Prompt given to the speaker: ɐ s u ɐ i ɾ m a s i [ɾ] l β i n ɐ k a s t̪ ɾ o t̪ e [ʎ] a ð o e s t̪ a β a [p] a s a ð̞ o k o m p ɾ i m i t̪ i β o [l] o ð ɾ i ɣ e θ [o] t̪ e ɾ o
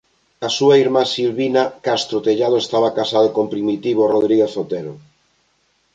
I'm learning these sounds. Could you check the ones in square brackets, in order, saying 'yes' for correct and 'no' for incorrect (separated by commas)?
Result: no, yes, no, no, yes